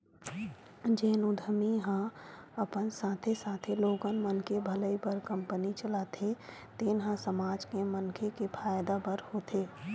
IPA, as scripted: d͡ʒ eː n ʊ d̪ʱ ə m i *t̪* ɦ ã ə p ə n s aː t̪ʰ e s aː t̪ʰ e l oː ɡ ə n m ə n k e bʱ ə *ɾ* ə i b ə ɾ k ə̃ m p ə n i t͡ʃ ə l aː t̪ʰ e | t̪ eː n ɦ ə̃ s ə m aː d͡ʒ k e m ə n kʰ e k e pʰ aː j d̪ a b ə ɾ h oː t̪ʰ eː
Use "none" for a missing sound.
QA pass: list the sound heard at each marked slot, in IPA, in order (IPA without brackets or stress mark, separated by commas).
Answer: none, l